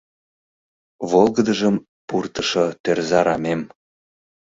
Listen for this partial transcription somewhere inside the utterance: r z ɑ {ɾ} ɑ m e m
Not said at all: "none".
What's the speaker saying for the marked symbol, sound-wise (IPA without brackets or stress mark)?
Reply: ɾ